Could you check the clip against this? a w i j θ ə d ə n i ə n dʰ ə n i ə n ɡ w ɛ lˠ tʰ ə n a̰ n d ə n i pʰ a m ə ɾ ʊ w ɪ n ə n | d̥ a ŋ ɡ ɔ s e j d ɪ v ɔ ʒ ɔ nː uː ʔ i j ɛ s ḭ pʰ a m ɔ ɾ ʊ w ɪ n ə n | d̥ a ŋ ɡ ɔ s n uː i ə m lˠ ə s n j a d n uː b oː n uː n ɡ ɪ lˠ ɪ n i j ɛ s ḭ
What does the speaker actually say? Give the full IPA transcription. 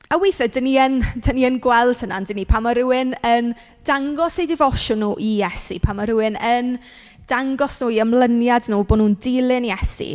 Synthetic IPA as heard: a w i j θ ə d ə n i ə n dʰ ə n i ə n ɡ w ɛ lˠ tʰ ə n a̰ n d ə n i pʰ a m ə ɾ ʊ w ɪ n ə n | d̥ a ŋ ɡ ɔ s e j d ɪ v ɔ ʃ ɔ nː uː ʔ i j ɛ s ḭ pʰ a m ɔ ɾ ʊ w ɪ n ə n | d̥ a ŋ ɡ ɔ s n uː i ə m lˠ ə n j a d n uː b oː n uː n d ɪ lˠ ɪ n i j ɛ s ḭ